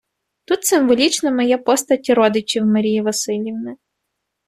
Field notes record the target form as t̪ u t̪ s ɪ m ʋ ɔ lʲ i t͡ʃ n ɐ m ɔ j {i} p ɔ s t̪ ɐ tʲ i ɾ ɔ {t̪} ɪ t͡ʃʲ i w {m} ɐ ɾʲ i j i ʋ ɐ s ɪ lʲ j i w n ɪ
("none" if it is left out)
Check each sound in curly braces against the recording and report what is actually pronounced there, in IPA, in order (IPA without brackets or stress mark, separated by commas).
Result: ɛ, d̪, m